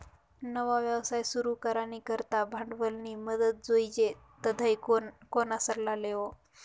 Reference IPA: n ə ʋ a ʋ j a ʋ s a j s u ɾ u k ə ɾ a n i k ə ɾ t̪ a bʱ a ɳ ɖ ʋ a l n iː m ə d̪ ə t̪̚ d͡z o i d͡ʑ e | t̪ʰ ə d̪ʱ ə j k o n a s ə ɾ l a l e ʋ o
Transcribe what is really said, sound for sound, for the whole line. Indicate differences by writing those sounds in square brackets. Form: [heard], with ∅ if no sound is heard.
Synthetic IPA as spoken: n ə ʋ a ʋ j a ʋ s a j s u ɾ u k ə ɾ a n i k ə ɾ t̪ a bʱ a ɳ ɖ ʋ [ə] l n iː m ə d̪ ə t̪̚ d͡z o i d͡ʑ e | [t̪] ə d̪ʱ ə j k o n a s ə ɾ l a l e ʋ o